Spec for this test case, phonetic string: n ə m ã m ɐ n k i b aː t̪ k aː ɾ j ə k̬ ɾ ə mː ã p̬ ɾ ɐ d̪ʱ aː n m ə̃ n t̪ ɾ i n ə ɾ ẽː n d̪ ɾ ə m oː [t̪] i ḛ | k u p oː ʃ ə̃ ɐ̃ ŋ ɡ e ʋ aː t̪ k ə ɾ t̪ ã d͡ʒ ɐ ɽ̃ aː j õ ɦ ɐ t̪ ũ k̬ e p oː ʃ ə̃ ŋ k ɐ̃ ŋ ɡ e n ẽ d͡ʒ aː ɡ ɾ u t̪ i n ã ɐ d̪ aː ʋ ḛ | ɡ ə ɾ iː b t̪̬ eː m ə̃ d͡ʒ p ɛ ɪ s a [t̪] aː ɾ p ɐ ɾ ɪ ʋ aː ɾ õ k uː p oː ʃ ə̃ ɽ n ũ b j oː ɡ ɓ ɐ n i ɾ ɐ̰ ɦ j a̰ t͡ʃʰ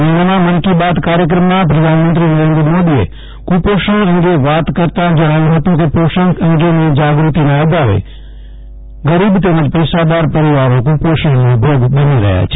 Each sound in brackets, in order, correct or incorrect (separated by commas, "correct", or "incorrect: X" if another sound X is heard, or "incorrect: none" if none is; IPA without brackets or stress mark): incorrect: d̪, incorrect: d̪